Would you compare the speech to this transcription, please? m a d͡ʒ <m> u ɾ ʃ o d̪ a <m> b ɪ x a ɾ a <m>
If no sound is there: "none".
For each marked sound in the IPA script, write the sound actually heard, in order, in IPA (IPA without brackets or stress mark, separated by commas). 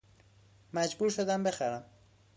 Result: b, m, m